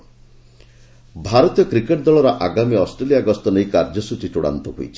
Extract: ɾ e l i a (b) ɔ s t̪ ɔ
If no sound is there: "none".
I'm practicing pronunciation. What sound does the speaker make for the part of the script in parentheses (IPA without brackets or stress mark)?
ɡ